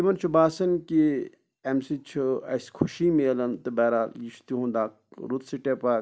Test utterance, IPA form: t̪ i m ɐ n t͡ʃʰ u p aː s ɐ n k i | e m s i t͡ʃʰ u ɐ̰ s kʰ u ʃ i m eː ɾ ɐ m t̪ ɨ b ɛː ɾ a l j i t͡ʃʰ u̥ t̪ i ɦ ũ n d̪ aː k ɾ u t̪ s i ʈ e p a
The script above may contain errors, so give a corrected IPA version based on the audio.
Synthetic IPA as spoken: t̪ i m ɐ n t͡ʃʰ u b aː s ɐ n k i | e m s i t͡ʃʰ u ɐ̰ s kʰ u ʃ i m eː l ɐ n t̪ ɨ b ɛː ɾ a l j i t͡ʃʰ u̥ t̪ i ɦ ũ n d̪ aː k ɾ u t̪ s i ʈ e p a